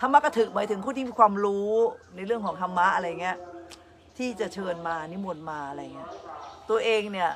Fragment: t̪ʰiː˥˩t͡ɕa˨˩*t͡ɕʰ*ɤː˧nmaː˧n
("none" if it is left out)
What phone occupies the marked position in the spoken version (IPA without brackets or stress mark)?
t͡ɕʰ